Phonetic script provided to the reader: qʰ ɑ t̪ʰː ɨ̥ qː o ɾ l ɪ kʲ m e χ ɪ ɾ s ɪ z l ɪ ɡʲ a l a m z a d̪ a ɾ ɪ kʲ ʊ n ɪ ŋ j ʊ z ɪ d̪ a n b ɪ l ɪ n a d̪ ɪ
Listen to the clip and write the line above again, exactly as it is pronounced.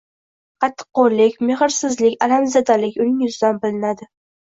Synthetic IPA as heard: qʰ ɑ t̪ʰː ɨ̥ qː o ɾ l ɪ kʲ m e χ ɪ ɾ s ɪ z l ɪ kʲ a l a m z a d̪ a l ɪ kʲ ʊ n ɪ ŋ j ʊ z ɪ d̪ a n b ɪ l ɪ n a d̪ ɪ